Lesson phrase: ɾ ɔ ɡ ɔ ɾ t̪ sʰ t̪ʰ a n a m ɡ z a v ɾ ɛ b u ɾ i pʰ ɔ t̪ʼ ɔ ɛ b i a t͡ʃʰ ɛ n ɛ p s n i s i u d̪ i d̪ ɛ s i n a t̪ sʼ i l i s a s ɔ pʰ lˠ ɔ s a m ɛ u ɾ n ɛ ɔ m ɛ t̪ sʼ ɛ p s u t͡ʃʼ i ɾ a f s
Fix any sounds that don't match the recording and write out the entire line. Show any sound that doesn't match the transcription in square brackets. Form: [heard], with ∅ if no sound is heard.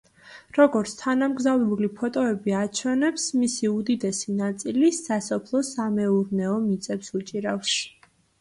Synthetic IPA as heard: ɾ ɔ ɡ ɔ ɾ t̪ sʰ t̪ʰ a n a m ɡ z a v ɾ ɛ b u [l] i pʰ ɔ t̪ʼ ɔ ɛ b i a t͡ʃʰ ɛ n ɛ p s [m] i s i u d̪ i d̪ ɛ s i n a t̪ sʼ i l i s a s ɔ pʰ lˠ ɔ s a m ɛ u ɾ n ɛ ɔ m [i] t̪ sʼ ɛ p s u t͡ʃʼ i ɾ a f s

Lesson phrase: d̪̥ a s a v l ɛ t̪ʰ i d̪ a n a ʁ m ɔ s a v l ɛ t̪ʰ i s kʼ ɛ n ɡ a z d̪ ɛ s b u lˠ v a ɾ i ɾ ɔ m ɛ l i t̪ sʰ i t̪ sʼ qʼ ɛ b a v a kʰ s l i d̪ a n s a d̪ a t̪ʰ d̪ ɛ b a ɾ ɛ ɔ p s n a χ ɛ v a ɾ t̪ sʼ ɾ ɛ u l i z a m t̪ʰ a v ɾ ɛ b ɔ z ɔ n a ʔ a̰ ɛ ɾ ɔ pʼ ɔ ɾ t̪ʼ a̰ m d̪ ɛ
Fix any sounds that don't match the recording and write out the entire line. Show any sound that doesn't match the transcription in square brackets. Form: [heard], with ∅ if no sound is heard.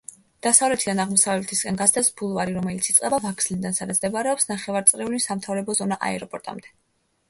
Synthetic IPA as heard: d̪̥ a s a v l ɛ t̪ʰ i d̪ a n a ʁ m ɔ s a v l ɛ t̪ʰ i s kʼ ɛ n ɡ a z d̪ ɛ s b u lˠ v a ɾ i ɾ ɔ m ɛ l i t̪ sʰ i t̪ sʼ qʼ ɛ b a v a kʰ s l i d̪ a n s a d̪ a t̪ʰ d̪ ɛ b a ɾ ɛ ɔ p s n a χ ɛ v a ɾ t̪ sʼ ɾ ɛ u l i [s] a m t̪ʰ a v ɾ ɛ b ɔ z ɔ n a ʔ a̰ ɛ ɾ ɔ pʼ ɔ ɾ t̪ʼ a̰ m d̪ ɛ

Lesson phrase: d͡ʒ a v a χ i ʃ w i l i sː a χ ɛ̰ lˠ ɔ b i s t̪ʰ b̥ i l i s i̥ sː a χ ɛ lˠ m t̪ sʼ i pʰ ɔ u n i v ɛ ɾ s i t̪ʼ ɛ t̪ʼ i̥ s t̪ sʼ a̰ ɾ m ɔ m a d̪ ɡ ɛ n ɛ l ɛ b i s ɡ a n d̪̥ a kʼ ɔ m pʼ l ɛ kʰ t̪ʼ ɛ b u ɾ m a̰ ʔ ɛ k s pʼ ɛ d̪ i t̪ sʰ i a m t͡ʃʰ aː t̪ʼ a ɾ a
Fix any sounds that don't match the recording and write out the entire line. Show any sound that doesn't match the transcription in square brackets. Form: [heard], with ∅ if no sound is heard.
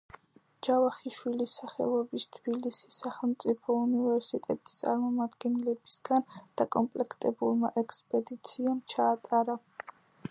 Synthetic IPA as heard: d͡ʒ a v a χ i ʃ w i l i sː a χ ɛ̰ lˠ ɔ b i s t̪ʰ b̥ i l i s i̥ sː a χ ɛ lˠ m t̪ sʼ i pʰ ɔ u n i v ɛ ɾ s i t̪ʼ ɛ t̪ʼ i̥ s t̪ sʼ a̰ ɾ m ɔ m a d̪ ɡ ɛ n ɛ l ɛ b i s ɡ a n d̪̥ a kʼ ɔ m pʼ l ɛ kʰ t̪ʼ ɛ b u ɾ m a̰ ʔ ɛ k s pʼ ɛ d̪ i t̪ sʰ i a m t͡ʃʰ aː t̪ʼ a ɾ a

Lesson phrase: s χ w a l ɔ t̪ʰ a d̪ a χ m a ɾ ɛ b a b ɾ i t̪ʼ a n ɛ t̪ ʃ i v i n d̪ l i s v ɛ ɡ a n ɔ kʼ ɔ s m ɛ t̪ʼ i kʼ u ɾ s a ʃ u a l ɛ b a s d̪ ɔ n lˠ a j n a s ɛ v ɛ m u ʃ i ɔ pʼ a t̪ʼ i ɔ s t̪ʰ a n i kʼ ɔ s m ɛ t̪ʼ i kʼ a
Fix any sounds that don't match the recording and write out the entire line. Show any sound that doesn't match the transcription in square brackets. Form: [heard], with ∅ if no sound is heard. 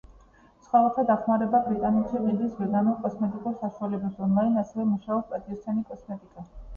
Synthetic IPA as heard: s χ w a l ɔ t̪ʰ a d̪ a χ m a ɾ ɛ b a b ɾ i t̪ʼ a n ɛ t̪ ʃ i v i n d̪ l i s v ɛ ɡ a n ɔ kʼ ɔ s m ɛ t̪ʼ i kʼ u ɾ s a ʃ u a l ɛ b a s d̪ ɔ n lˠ a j n a s ɛ v ɛ m u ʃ [a] ɔ pʼ a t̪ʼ i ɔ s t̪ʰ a n i kʼ ɔ s m ɛ t̪ʼ i kʼ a

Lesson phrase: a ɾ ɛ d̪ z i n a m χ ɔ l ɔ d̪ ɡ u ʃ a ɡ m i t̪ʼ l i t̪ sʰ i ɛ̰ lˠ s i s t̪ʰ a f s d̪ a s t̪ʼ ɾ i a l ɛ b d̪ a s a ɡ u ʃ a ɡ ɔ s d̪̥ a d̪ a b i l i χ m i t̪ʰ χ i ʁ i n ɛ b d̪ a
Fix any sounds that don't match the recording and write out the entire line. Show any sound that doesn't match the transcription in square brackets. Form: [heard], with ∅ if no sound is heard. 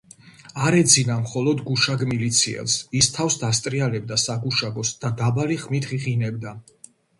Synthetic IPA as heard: a ɾ ɛ d̪ z i n a m χ ɔ l ɔ d̪ ɡ u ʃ a ɡ m i [∅] l i t̪ sʰ i ɛ̰ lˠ s i s t̪ʰ a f s d̪ a s t̪ʼ ɾ i a l ɛ b d̪ a s a ɡ u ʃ a ɡ ɔ s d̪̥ a d̪ a b [a] l i χ m i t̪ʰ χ i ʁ i n ɛ b d̪ a

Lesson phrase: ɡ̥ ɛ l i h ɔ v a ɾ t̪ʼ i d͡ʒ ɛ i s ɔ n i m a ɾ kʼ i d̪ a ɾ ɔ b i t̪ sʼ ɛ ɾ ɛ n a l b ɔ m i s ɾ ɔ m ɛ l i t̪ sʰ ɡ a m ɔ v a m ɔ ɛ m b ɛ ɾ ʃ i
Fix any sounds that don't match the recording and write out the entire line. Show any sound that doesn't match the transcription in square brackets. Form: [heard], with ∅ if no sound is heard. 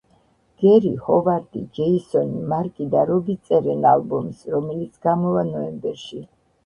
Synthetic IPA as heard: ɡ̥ ɛ [ɾ] i h ɔ v a ɾ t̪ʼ i d͡ʒ ɛ i s ɔ n i m a ɾ kʼ i d̪ a ɾ ɔ b i t̪ sʼ ɛ ɾ ɛ n a l b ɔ m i s ɾ ɔ m ɛ l i t̪ sʰ ɡ a m ɔ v a [n] ɔ ɛ m b ɛ ɾ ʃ i

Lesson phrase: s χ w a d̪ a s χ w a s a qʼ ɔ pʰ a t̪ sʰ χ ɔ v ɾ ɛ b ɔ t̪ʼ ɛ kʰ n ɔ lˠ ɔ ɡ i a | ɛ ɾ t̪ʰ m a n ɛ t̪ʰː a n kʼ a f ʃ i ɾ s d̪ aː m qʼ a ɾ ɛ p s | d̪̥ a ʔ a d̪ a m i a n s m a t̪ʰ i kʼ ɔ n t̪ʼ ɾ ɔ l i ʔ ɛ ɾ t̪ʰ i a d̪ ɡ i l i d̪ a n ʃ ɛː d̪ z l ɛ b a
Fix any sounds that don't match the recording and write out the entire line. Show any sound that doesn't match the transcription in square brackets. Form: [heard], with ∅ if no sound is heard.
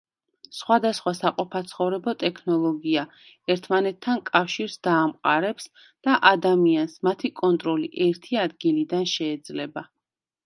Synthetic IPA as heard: s χ w a d̪ a s χ w a s a qʼ ɔ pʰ a t̪ sʰ χ ɔ v ɾ ɛ b ɔ t̪ʼ ɛ kʰ n ɔ lˠ ɔ ɡ i a | ɛ ɾ t̪ʰ m a n ɛ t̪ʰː a n kʼ a f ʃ i ɾ s d̪ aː m qʼ a ɾ ɛ p s | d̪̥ a ʔ a d̪ a m i a n s m a t̪ʰ i kʼ ɔ n t̪ʼ ɾ ɔ l i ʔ ɛ ɾ t̪ʰ i a d̪ ɡ i l i d̪ a n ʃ ɛː d̪ z l ɛ b a

